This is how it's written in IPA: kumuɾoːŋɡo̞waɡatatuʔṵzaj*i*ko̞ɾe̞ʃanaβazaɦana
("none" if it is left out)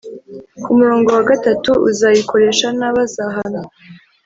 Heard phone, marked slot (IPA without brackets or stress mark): i